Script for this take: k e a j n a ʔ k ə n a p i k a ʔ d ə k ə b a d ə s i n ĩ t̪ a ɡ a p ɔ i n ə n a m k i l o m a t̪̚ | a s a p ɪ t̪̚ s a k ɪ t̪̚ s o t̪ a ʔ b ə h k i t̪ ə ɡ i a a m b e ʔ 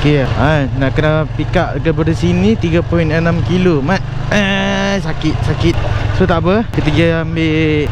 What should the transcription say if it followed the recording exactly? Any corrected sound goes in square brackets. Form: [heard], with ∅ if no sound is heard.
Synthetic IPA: k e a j n a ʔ k ə n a p i k a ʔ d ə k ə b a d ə s i n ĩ t̪ [i] ɡ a p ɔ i n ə n a m k i l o m a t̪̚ | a s a [k] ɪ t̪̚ s a k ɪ t̪̚ s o t̪ a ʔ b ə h k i t̪ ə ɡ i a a m b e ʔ

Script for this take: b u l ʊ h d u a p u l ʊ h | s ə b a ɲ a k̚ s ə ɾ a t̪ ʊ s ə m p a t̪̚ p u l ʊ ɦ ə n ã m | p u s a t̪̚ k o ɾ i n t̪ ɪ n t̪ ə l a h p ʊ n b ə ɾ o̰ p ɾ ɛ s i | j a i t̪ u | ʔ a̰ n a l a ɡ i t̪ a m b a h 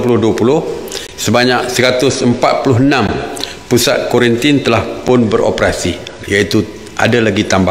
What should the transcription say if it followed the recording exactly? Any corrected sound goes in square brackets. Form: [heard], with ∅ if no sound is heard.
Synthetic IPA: [p] u l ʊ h d u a p u l ʊ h | s ə b a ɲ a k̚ s ə ɾ a t̪ ʊ s ə m p a t̪̚ p u l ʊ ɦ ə n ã m | p u s a t̪̚ k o ɾ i n t̪ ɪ n t̪ ə l a h p ʊ n b ə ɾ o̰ p ɾ [a] s i | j a i t̪ u | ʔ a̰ [d] a l a ɡ i t̪ a m b a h

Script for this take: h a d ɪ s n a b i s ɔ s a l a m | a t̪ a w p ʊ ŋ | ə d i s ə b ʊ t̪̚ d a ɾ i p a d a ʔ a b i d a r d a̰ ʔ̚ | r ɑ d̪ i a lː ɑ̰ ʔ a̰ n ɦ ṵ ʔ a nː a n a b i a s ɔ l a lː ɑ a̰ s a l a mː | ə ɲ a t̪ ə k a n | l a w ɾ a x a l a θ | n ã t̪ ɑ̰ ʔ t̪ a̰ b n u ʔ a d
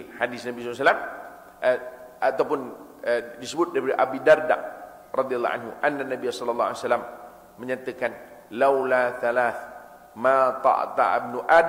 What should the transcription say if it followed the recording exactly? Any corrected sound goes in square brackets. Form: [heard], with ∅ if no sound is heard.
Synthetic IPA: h a d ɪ s n a b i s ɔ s a l a m | a t̪ a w p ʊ [n] | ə d i s ə b ʊ t̪̚ d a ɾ i p a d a ʔ a b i d a r d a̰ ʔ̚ | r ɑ d̪ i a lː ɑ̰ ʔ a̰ n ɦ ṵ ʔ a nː a n a b i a s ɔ l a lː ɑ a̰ s a l a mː | ə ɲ a t̪ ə k a n | l a w [l] a [θ] a l a θ | [m] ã t̪ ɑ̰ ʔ t̪ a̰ b n u ʔ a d

